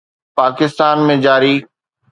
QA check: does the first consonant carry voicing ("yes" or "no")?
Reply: no